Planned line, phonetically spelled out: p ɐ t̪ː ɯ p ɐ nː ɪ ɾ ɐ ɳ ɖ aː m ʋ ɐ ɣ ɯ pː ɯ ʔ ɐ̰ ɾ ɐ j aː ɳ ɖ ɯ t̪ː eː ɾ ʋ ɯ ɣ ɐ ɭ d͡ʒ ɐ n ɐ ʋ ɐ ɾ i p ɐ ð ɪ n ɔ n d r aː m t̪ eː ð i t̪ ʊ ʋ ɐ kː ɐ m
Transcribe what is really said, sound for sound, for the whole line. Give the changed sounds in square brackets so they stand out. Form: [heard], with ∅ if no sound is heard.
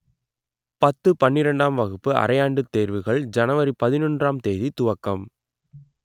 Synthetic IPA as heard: p ɐ t̪ː ɯ p ɐ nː ɪ ɾ ɐ ɳ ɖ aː m ʋ ɐ ɣ ɯ pː ɯ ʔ ɐ̰ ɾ ɐ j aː ɳ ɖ ɯ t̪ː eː ɾ ʋ ɯ ɣ ɐ ɭ d͡ʒ ɐ n ɐ ʋ ɐ ɾ i p ɐ ð ɪ n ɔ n d r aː m t̪ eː ð i t̪ ʊ ʋ ɐ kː ɐ m